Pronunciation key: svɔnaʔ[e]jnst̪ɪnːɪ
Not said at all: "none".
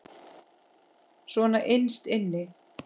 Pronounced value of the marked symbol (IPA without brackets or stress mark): e